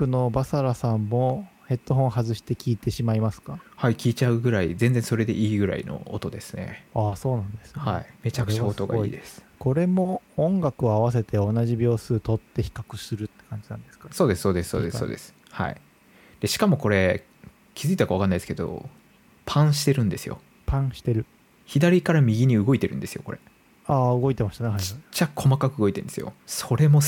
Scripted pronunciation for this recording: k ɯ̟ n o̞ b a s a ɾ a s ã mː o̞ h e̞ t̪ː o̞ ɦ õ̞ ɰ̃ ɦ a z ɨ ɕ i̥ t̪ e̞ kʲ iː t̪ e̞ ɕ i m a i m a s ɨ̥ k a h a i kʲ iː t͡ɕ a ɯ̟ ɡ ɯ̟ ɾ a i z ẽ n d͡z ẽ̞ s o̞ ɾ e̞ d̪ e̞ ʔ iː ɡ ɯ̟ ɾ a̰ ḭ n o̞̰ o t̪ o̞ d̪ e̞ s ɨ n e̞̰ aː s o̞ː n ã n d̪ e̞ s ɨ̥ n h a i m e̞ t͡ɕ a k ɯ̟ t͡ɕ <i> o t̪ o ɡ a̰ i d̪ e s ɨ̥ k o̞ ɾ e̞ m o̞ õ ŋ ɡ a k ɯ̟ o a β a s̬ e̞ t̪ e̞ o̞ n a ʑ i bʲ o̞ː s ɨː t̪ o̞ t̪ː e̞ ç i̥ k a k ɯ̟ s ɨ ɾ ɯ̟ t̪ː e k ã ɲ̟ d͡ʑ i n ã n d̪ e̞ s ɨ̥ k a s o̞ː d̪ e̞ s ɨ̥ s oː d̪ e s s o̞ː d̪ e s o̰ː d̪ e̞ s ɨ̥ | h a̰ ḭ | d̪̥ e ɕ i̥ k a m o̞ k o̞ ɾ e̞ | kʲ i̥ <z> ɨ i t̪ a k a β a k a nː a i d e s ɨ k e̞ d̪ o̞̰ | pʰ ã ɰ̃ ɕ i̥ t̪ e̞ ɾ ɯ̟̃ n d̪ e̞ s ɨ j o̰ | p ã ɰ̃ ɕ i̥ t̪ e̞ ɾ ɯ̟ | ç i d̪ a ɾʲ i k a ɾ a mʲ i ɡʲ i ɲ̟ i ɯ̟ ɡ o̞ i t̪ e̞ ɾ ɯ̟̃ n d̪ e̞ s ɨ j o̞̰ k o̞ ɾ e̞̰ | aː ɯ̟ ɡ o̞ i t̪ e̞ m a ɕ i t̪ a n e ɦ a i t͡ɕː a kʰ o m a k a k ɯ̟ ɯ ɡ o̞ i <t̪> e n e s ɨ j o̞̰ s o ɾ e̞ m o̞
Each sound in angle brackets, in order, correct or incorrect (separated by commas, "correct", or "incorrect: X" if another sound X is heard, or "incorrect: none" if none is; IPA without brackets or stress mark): incorrect: a, correct, correct